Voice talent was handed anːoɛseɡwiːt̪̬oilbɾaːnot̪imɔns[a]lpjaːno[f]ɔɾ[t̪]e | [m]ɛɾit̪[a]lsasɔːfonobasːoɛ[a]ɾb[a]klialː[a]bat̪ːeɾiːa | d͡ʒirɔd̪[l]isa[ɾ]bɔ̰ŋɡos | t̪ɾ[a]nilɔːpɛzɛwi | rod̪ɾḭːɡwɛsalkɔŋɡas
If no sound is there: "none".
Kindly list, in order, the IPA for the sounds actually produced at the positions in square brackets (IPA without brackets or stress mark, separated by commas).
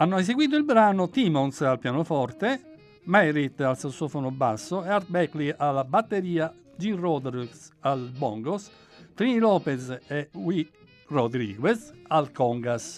a, f, t̪, m, a, a, ɛ, a, ɾ, l, i